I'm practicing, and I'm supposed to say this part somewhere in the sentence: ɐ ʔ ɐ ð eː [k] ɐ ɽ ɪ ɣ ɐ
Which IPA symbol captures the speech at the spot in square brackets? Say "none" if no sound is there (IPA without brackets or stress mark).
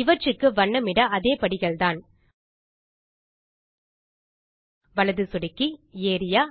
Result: p